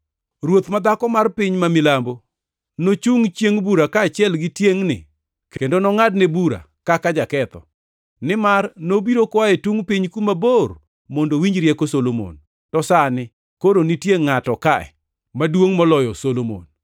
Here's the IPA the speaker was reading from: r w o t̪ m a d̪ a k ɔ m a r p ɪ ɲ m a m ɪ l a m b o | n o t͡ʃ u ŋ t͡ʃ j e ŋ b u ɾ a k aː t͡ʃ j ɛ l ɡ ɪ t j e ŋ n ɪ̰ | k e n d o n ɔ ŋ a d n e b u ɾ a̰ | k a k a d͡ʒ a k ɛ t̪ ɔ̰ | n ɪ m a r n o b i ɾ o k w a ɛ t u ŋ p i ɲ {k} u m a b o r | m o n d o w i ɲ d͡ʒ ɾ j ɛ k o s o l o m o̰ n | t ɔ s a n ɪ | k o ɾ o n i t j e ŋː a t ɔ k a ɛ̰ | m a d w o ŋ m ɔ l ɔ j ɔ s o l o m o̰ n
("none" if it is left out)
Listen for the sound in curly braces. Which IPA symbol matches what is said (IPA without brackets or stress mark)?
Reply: k